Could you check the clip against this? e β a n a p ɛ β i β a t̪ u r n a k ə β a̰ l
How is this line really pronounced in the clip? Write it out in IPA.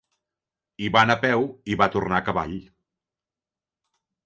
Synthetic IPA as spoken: i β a n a p ɛ w i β a t̪ u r n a k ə β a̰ ʎ